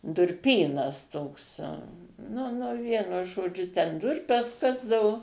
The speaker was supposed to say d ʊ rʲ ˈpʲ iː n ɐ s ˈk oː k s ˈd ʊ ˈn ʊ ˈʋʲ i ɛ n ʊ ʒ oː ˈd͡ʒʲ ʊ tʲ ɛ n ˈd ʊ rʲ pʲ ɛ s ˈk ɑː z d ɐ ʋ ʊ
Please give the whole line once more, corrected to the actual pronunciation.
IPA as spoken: d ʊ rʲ ˈpʲ iː n ɐ s ˈt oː k s ˈn ʊ ˈn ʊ ˈʋʲ i ɛ n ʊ ʒ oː ˈd͡ʒʲ ʊ tʲ ɛ n ˈd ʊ rʲ pʲ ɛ s ˈk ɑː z d ɐ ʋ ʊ